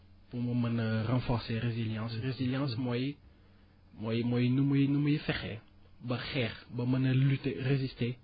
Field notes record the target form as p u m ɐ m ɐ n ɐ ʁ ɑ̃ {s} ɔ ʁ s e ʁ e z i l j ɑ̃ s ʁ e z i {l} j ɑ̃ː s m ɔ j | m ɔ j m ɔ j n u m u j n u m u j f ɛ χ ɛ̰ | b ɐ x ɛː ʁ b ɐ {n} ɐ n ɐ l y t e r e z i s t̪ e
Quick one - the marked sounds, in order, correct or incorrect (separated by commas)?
incorrect, correct, incorrect